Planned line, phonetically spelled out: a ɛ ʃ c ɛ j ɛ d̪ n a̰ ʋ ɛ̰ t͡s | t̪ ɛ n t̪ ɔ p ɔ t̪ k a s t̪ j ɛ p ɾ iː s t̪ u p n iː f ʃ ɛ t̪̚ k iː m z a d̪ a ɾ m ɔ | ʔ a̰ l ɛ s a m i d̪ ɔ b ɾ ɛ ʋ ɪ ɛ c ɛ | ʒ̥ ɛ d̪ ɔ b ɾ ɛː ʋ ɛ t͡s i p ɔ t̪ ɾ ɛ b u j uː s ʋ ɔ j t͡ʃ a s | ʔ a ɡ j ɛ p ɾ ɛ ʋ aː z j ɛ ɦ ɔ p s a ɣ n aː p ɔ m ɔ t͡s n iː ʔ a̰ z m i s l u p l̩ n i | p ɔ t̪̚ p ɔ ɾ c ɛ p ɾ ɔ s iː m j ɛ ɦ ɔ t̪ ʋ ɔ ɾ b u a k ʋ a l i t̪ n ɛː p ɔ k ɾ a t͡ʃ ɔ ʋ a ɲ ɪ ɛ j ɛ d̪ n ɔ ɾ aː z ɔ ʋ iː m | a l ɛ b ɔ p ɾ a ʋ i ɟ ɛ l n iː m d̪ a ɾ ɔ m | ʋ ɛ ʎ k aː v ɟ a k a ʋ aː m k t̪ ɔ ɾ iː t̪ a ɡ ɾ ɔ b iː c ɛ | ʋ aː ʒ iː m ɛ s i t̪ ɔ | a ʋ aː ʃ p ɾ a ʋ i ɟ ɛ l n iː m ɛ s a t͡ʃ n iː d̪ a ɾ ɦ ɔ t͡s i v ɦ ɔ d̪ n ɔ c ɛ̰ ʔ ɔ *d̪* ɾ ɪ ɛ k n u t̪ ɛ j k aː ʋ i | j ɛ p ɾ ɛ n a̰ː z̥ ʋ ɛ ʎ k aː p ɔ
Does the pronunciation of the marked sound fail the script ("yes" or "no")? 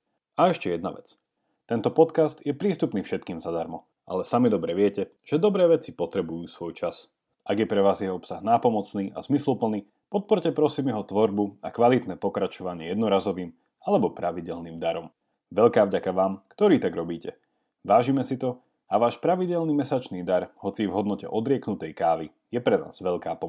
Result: no